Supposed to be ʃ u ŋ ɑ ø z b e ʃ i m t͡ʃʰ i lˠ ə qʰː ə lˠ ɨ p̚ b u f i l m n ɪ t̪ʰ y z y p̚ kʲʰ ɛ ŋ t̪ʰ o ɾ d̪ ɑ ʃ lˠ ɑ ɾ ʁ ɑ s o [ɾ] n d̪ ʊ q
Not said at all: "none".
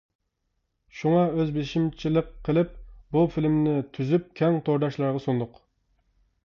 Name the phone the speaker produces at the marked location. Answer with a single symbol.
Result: none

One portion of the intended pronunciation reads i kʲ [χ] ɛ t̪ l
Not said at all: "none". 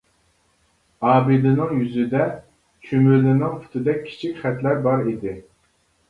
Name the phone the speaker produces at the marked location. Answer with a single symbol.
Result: χ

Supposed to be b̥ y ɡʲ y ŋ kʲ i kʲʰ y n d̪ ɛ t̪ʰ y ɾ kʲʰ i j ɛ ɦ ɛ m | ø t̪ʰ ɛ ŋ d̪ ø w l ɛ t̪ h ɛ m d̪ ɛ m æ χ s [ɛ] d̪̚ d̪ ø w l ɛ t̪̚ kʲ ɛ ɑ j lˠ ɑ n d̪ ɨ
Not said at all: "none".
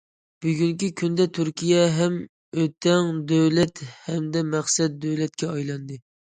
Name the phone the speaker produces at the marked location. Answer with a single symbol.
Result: ɛ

